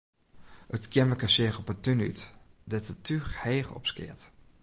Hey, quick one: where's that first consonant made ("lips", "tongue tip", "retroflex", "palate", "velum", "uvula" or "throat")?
tongue tip